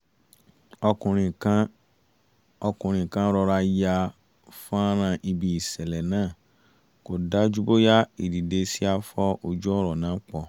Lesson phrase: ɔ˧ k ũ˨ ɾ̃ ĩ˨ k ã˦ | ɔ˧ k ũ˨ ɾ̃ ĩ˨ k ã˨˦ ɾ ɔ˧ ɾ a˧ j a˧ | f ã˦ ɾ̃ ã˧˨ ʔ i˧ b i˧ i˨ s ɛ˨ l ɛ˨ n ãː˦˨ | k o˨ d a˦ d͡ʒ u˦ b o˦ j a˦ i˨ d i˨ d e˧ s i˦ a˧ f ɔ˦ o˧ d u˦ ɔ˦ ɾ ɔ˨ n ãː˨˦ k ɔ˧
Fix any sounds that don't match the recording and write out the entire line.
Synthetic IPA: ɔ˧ k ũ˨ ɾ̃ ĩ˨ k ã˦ | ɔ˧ k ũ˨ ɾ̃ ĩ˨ k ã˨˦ ɾ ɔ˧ ɾ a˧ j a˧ | f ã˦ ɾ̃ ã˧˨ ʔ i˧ b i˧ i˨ s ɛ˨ l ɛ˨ n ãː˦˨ | k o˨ d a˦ d͡ʒ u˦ b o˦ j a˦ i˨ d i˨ d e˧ s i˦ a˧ f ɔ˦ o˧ d͡ʒ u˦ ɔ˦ ɾ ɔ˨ n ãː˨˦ k͡p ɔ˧